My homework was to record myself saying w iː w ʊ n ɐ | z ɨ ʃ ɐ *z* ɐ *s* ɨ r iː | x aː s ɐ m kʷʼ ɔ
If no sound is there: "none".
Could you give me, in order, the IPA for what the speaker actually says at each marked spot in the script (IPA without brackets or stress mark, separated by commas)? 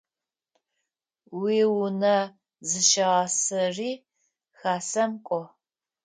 ʁ, s